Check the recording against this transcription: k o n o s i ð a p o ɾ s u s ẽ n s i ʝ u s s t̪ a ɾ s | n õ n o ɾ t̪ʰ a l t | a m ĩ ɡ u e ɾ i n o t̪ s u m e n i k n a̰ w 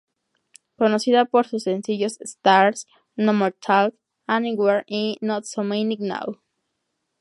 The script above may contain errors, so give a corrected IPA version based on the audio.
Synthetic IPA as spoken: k o n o s i ð a p o ɾ s u s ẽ n s i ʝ o s s t̪ a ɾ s | n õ m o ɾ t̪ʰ a l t | a n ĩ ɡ w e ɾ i n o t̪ s o m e n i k n a̰ w